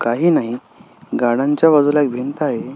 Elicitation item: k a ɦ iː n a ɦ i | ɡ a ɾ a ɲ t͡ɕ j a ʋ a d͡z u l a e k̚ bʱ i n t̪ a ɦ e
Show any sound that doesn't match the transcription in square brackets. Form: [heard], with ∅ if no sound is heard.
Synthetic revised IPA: k a ɦ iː n a ɦ i | ɡ a [ɽ] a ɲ t͡ɕ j a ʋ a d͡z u l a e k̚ bʱ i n t̪ a ɦ e